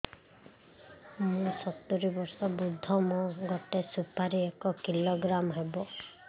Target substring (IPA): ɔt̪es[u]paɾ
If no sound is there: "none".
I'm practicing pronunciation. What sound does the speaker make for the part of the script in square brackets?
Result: u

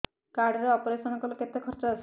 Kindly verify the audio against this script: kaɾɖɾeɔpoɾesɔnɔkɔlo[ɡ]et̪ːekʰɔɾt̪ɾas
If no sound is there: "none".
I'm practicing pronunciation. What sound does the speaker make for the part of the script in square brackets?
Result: k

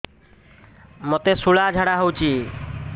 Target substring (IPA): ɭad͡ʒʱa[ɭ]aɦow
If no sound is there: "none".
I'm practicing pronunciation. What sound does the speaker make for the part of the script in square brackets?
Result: ɽ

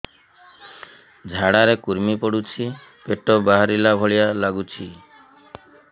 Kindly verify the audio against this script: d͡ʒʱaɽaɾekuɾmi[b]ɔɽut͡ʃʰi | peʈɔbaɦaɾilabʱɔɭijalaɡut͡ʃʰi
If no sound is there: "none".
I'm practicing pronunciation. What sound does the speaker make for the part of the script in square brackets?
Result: p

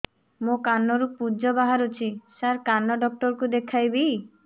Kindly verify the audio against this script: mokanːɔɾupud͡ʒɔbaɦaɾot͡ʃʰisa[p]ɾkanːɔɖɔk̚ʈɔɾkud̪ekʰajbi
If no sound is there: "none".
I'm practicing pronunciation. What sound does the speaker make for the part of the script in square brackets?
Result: none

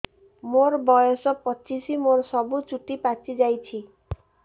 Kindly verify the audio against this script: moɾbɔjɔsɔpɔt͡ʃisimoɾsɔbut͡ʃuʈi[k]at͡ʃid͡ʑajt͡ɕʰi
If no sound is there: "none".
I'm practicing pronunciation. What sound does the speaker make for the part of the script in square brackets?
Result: p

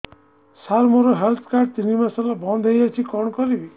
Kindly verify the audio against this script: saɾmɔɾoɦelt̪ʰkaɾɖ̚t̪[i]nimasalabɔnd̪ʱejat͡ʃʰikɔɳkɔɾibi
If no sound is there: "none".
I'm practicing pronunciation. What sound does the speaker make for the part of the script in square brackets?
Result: i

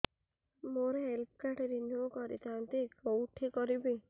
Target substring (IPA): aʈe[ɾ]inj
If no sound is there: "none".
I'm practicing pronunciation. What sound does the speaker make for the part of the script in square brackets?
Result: ɾ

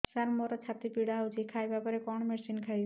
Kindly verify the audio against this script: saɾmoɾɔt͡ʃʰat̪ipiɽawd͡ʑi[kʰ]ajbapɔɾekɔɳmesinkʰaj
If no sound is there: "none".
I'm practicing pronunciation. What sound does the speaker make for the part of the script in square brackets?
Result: kʰ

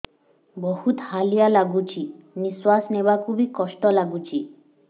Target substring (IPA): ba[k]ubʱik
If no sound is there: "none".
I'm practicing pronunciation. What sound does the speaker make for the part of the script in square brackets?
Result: k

